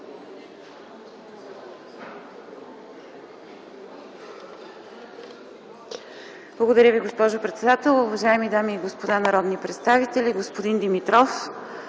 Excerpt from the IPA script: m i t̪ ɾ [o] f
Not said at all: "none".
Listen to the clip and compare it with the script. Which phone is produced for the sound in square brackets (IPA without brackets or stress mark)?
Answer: ɔ